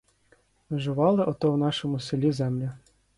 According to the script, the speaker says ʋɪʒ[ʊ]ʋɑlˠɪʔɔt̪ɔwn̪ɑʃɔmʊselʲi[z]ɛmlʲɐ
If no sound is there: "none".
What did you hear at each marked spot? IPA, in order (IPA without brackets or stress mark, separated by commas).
ʊ, z